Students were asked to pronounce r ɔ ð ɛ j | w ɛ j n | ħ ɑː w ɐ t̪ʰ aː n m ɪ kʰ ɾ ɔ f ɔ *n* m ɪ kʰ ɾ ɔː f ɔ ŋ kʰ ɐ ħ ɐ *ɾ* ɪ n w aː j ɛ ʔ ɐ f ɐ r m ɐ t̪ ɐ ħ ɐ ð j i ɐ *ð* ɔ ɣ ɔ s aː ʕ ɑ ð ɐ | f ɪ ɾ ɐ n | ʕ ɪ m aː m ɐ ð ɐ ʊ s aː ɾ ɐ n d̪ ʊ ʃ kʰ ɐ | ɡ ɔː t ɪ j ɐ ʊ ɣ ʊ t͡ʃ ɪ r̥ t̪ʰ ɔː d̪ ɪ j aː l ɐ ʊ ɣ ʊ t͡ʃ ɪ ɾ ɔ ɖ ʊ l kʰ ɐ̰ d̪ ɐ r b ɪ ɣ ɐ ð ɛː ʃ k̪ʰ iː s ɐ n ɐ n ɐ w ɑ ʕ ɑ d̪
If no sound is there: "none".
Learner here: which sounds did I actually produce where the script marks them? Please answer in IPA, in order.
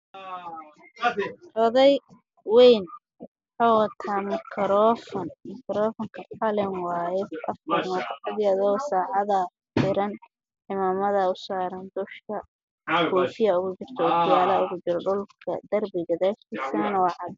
n, l, ð

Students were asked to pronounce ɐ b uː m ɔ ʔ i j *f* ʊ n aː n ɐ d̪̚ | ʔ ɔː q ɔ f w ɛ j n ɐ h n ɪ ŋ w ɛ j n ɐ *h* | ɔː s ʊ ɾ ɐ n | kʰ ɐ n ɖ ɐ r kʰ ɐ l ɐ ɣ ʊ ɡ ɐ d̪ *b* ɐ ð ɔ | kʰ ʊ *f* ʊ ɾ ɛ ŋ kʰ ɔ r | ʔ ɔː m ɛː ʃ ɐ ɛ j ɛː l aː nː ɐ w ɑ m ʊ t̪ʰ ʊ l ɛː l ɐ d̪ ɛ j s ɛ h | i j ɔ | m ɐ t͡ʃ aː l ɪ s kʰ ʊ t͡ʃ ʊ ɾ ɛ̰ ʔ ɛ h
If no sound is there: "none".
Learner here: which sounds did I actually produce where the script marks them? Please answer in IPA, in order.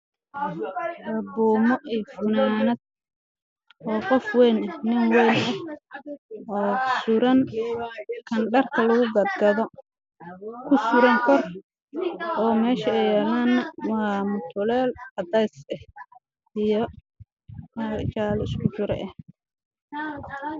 f, h, ɡ, s

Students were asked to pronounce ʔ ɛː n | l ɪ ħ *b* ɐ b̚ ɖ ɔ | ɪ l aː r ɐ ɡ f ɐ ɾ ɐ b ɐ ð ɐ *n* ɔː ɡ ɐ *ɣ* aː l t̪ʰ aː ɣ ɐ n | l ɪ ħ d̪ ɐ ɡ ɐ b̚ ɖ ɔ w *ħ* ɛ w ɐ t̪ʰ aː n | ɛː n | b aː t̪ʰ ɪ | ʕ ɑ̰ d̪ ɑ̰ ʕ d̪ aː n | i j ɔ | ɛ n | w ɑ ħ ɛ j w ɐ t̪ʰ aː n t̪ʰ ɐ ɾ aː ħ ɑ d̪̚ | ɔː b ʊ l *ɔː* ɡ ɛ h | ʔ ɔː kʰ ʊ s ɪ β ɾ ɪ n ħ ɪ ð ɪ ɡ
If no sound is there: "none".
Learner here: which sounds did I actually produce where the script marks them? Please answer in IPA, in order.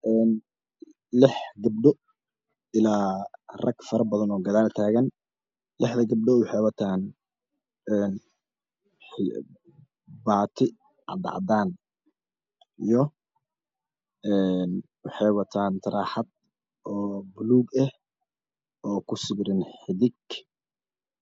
ɡ, n, ð, ħ, uː

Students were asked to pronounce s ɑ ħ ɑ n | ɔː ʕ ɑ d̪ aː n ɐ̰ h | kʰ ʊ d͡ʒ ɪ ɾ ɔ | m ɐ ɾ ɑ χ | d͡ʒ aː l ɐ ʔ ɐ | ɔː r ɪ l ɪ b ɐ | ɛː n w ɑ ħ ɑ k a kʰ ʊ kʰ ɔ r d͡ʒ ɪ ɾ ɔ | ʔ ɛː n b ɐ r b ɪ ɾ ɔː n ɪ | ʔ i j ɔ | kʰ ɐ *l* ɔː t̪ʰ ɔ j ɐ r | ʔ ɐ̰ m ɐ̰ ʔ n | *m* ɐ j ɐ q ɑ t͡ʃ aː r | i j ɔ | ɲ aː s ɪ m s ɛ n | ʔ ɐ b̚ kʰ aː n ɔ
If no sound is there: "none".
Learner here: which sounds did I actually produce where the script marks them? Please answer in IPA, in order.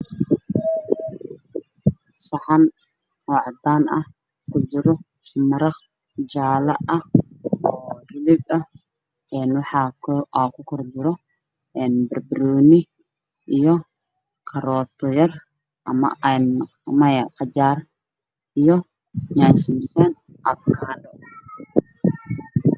ɾ, m

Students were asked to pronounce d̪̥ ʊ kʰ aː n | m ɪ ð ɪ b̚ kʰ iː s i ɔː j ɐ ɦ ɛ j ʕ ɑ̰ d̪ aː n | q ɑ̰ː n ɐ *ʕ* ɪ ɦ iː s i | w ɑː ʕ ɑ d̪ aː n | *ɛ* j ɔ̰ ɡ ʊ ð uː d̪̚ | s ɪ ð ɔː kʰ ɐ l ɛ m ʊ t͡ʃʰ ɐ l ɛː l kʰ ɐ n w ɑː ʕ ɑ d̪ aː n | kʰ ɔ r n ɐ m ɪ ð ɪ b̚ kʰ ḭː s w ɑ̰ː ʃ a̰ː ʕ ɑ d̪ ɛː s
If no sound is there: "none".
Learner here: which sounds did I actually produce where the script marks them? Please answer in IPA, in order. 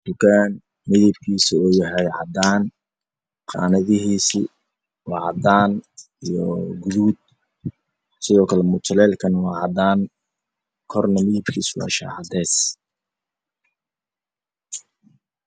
ð, i

